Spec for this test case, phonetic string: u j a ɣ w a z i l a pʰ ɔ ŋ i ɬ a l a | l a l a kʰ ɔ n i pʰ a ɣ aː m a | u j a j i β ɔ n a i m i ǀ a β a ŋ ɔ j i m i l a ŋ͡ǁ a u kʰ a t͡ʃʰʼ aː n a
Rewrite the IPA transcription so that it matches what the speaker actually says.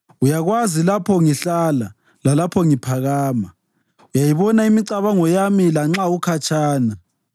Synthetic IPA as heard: u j a ɣ w a z i l a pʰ ɔ ŋ i ɬ a l a | l a l a pʰ ɔ ŋ i pʰ a ɣ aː m a | u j a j i β ɔ n a i m i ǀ a β a ŋ ɔ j a m i l a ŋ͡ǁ a u kʰ a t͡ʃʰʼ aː n a